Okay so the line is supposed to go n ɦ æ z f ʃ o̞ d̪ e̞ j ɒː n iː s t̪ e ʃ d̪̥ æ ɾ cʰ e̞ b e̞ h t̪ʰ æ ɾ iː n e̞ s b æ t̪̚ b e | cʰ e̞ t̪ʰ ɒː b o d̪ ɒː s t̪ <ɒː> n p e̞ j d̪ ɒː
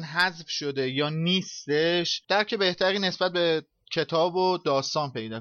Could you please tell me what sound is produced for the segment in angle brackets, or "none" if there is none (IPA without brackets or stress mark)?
ɒː